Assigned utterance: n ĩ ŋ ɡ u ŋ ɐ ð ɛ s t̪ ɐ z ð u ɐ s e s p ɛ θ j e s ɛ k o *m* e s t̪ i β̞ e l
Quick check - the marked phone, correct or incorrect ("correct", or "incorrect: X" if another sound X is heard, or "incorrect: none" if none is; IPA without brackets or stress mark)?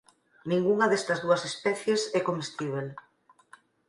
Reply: correct